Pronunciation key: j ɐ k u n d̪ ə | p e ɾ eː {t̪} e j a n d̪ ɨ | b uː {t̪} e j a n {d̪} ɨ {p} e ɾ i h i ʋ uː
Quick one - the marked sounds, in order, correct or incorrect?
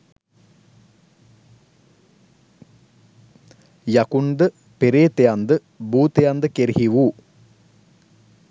correct, correct, correct, incorrect

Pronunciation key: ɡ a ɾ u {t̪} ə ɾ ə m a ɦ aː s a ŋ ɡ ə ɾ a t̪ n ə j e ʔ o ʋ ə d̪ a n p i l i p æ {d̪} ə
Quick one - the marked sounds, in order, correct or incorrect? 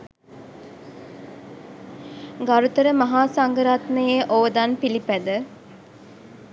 correct, correct

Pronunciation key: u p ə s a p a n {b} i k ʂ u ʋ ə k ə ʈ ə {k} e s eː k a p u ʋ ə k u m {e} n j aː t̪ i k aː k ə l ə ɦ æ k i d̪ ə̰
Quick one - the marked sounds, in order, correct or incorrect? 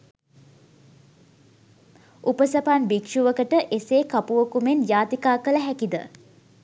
correct, incorrect, correct

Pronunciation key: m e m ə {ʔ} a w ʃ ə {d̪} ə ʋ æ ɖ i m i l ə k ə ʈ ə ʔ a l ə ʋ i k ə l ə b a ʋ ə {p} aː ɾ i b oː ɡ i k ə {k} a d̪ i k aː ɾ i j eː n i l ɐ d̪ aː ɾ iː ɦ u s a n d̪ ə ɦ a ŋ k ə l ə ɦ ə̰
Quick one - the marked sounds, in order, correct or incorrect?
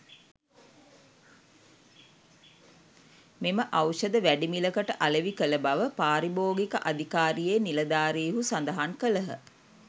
correct, correct, correct, incorrect

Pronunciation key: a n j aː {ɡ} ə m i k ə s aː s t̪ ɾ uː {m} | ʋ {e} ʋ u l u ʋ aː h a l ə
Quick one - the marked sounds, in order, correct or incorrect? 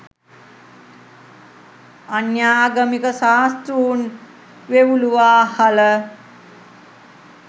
correct, incorrect, correct

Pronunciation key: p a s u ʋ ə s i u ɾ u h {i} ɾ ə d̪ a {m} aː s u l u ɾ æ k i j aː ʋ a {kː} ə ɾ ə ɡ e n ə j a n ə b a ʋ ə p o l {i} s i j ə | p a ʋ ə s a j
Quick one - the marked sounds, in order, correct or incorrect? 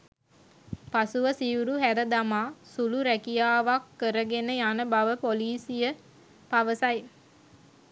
incorrect, correct, correct, incorrect

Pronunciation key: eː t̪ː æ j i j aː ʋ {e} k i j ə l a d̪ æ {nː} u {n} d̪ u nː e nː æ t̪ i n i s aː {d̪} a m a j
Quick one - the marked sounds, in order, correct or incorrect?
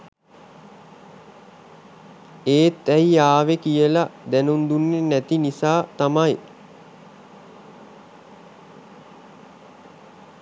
correct, incorrect, correct, incorrect

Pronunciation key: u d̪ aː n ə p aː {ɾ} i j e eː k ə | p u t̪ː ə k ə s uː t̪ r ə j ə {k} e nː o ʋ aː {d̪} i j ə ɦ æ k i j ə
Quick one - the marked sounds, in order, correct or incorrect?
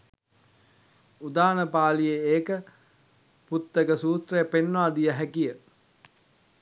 incorrect, incorrect, correct

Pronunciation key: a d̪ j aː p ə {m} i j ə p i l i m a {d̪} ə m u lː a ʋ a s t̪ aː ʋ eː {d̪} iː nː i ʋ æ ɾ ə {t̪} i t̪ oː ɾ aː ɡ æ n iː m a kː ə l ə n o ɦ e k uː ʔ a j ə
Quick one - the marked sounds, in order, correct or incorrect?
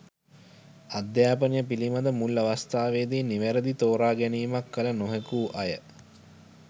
incorrect, correct, correct, incorrect

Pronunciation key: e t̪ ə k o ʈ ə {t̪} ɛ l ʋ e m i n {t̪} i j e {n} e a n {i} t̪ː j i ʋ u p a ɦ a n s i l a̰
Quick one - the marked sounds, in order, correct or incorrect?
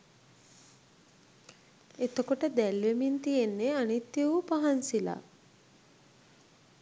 incorrect, correct, incorrect, correct

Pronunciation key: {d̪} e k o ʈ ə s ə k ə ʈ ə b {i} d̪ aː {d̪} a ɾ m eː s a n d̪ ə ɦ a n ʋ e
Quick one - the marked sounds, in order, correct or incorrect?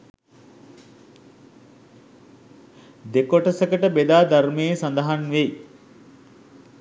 correct, incorrect, correct

